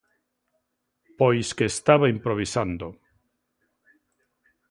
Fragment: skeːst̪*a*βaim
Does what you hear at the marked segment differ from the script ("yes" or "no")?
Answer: no